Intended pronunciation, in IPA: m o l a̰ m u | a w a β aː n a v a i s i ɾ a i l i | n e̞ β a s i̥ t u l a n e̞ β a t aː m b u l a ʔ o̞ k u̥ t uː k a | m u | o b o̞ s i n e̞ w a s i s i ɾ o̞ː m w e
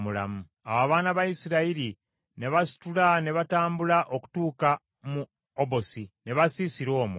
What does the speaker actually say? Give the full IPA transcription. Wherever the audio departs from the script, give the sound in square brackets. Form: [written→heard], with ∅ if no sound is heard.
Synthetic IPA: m [o→u] l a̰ m u | a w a β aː n a [v→β] a i s i ɾ a i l i | n e̞ β a s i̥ t u l a n e̞ β a t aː m b u l a ʔ o̞ k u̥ t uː k a | m u | o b o̞ s i n e̞ [w→β] a s i s i ɾ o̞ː m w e